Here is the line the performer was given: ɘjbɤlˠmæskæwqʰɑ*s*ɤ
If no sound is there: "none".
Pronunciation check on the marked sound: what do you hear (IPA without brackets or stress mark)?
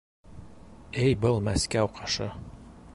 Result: ʃ